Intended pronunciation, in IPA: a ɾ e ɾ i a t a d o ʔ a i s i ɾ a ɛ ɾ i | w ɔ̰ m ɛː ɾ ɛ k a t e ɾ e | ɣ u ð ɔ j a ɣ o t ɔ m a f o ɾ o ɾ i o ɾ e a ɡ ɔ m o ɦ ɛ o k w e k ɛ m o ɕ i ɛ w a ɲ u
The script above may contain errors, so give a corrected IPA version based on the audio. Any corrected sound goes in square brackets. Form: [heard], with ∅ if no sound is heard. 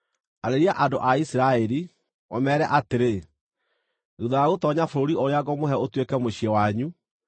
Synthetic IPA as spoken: a ɾ e ɾ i a [ʔ] a d o ʔ a i s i ɾ a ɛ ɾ i | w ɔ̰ m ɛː ɾ ɛ [ʔ] a t e ɾ e | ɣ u ð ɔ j a ɣ o t ɔ [ɲ] a f o ɾ o ɾ i o ɾ e a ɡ ɔ m o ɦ ɛ o [t] w e k ɛ m o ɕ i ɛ w a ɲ u